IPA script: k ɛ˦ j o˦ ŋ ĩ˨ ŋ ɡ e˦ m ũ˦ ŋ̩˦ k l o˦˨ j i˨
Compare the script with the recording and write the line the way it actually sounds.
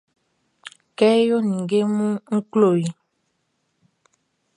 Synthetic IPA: k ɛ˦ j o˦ n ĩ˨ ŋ ɡ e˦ m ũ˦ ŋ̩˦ k l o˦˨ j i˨

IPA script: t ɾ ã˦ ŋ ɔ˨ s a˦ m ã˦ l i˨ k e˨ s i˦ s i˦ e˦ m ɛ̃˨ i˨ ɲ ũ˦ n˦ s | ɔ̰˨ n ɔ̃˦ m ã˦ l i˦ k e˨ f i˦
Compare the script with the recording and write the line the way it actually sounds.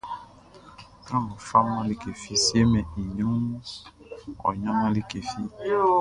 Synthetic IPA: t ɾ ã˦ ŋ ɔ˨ f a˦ m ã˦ l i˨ k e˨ f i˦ s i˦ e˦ m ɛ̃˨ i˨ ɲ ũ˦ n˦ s | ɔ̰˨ ɲ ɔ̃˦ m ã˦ l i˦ k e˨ f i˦

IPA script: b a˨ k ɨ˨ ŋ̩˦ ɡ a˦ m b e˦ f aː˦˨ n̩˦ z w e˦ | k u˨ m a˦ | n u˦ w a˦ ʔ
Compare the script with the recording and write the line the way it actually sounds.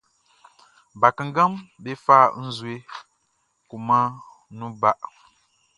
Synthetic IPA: b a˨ k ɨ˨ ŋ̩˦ ɡ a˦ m b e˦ f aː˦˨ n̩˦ z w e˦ | k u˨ m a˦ | n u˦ b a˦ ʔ

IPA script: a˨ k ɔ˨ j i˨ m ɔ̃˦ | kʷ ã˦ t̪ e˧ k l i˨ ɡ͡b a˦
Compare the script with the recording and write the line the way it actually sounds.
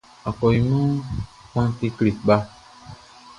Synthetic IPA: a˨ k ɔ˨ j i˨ m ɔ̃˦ | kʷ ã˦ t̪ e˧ k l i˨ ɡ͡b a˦

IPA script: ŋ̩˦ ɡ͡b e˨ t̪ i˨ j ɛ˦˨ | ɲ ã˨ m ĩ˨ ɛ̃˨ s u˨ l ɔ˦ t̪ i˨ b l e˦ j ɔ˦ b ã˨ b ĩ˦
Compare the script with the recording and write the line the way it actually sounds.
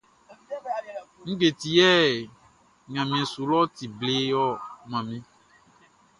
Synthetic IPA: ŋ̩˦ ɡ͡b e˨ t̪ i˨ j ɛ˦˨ | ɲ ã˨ m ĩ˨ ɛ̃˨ s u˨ l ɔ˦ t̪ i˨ b l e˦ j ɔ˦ m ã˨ m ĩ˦

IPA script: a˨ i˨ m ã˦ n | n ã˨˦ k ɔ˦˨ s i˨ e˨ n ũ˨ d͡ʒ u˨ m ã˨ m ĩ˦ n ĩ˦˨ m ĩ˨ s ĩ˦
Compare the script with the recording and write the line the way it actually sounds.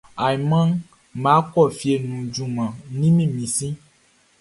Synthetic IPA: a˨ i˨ m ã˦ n | m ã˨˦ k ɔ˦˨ f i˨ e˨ n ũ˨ d͡ʒ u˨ m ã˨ n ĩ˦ m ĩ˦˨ m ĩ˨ s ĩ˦

